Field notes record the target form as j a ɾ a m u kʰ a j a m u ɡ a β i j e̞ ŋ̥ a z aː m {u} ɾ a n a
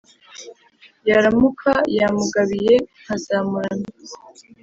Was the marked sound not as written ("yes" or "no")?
no